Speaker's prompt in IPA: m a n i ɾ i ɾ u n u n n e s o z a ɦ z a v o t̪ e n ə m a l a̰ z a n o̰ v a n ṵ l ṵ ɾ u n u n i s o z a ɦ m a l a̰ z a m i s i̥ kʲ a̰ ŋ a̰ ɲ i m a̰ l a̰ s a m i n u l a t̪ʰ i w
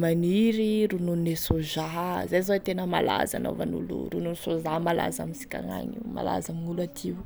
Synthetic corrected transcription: m a n i ɾ i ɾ u n u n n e s o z a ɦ z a z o t̪ e n ə m a l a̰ z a n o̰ v a n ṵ l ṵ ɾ u n u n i s o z a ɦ m a l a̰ z a m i s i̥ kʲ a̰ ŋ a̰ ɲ i m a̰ l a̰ z a m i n u l a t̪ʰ i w